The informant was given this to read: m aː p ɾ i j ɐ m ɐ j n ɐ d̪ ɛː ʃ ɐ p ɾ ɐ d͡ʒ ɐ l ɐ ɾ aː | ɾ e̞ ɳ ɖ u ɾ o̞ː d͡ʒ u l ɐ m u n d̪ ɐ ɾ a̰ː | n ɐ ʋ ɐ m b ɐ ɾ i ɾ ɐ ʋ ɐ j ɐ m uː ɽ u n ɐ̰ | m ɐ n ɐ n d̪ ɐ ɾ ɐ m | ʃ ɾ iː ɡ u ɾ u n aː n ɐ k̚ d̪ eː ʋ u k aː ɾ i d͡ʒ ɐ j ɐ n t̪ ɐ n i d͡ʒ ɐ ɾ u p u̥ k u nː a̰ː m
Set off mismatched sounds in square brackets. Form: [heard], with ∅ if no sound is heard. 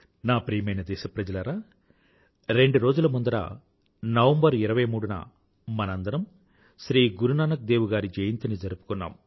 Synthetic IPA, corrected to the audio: [n] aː p ɾ i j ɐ m ɐ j n ɐ d̪ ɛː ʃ ɐ p ɾ ɐ d͡ʒ ɐ l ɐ ɾ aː | ɾ e̞ ɳ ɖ u ɾ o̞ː d͡ʒ u l ɐ m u n d̪ ɐ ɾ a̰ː | n ɐ ʋ ɐ m b ɐ ɾ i ɾ ɐ ʋ ɐ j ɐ m uː ɽ u n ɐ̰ | m ɐ n ɐ n d̪ ɐ ɾ ɐ m | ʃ ɾ iː ɡ u ɾ u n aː n ɐ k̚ d̪ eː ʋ u [ɡ] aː ɾ i d͡ʒ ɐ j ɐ n t̪ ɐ n i d͡ʒ ɐ ɾ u p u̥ k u nː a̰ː m